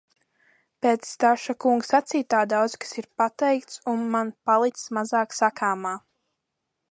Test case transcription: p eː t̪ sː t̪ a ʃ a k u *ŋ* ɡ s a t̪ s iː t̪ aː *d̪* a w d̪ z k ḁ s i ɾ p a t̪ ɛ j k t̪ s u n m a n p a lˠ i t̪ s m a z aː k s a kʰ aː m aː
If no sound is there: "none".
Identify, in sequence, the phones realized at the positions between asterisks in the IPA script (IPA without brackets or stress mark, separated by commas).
ŋ, d̪